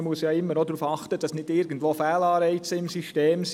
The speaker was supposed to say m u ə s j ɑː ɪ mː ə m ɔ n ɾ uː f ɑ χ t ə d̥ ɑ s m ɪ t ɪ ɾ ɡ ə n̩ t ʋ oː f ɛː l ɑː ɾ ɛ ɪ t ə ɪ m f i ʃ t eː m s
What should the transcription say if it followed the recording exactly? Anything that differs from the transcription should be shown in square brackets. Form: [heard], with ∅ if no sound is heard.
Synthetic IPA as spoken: m u ə s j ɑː ɪ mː ə [n] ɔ [d] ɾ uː f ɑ χ t ə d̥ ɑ s [n] ɪ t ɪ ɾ ɡ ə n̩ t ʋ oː f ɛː l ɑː ɾ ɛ ɪ [t͡s] ə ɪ m [s] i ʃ t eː m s

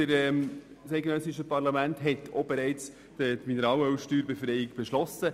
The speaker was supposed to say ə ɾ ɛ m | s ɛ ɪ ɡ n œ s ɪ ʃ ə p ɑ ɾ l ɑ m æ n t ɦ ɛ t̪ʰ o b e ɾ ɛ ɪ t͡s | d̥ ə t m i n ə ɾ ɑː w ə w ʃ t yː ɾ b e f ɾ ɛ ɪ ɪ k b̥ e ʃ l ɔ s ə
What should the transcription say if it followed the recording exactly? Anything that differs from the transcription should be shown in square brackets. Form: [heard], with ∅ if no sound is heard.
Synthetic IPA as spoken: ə ɾ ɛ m | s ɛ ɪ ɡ n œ s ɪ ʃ ə p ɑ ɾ l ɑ m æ n t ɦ ɛ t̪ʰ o b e ɾ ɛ ɪ t͡s | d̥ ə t m i n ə ɾ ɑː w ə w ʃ t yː ɾ b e f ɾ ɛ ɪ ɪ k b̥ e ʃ l ɔ s ə

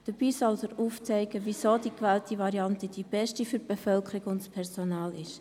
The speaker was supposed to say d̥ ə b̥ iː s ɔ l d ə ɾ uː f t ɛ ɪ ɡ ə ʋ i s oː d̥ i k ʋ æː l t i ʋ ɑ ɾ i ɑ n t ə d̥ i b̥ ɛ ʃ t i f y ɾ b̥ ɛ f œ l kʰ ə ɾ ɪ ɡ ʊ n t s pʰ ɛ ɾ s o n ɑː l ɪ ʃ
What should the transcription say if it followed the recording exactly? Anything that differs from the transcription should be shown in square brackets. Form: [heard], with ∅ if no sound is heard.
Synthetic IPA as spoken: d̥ ə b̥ iː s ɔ l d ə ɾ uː f [t͡s] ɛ ɪ ɡ ə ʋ i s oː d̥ i k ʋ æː l t i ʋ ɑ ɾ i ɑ n t ə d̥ i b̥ ɛ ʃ t i f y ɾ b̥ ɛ f œ l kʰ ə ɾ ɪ ɡ ʊ n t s pʰ ɛ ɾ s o n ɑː l ɪ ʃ

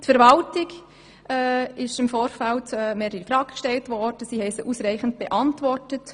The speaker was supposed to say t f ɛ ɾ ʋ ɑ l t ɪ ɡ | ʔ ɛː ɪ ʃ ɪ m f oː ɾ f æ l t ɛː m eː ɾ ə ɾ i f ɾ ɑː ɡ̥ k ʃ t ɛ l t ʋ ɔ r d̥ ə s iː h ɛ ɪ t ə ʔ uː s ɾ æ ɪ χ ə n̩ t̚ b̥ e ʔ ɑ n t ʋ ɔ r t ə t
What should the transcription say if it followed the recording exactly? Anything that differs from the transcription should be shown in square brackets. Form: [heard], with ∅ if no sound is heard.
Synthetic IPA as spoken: t f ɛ ɾ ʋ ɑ l t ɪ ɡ | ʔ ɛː ɪ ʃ ɪ m f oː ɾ f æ l t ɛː m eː ɾ ə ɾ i f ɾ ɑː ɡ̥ k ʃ t ɛ l t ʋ ɔ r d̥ ə s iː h ɛ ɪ [s] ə ʔ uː s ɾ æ ɪ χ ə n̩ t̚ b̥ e ʔ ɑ n t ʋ ɔ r t ə t

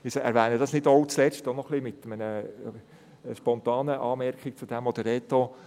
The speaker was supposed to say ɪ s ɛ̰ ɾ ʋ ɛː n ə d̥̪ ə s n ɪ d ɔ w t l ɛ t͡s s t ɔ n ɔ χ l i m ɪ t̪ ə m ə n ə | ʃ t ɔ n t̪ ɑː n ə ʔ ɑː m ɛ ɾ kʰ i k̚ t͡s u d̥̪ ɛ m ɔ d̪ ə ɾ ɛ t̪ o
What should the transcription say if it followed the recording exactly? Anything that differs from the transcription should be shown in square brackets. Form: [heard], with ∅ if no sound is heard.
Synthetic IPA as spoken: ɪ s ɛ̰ ɾ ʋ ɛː n ə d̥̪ [ɑ] s n ɪ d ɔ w [t͡s] l ɛ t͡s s t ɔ n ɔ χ l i m ɪ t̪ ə m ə n ə | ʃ [p] ɔ n t̪ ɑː n ə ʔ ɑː m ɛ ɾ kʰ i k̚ t͡s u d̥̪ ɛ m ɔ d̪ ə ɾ ɛ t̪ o

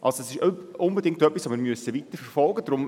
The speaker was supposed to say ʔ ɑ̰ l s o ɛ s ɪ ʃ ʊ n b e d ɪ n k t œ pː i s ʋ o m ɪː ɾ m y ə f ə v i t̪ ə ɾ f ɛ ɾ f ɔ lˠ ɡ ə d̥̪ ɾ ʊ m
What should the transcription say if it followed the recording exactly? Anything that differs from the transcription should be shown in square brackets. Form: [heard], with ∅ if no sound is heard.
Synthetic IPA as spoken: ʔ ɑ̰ l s o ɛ s ɪ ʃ ʊ n b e d ɪ [ŋ] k t œ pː i s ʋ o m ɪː ɾ m y ə [s] ə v i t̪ ə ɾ f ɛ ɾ f ɔ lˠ ɡ ə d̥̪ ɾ ʊ m

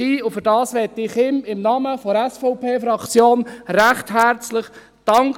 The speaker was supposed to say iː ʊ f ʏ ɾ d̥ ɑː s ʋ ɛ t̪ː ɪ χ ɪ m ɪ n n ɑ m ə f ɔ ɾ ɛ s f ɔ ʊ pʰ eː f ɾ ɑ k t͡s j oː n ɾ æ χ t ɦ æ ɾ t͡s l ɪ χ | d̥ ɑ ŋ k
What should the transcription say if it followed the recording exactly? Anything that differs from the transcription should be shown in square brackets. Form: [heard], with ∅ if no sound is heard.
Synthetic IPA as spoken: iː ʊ f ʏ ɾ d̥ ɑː s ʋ ɛ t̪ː ɪ χ ɪ m ɪ [m] n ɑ m ə f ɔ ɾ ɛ s f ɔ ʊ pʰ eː f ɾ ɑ k t͡s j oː n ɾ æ χ t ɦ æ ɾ t͡s l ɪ χ | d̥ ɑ ŋ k

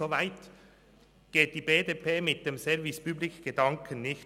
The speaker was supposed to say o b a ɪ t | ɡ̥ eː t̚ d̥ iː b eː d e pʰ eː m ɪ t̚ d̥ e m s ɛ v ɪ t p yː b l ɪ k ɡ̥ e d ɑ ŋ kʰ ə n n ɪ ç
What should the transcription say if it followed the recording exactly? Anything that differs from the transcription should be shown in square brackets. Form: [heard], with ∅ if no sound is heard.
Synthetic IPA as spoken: o [v] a ɪ t | ɡ̥ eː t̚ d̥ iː b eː d e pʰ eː m ɪ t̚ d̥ e m s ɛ v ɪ [s] p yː b l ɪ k ɡ̥ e d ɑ ŋ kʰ ə n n ɪ ç

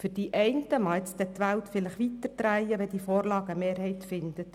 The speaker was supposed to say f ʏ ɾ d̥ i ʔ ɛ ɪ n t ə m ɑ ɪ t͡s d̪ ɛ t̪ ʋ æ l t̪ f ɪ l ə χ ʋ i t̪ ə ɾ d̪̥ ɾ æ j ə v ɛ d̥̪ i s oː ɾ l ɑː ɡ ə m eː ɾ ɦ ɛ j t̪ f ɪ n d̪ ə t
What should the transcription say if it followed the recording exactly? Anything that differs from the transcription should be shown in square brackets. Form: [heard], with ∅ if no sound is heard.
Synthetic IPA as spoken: f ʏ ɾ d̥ i ʔ ɛ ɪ n t ə m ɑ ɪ t͡s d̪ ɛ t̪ ʋ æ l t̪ f ɪ l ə χ ʋ i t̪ ə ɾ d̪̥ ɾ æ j ə [ʋ] ɛ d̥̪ i [f] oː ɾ l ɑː ɡ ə m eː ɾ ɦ ɛ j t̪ f ɪ n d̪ ə t

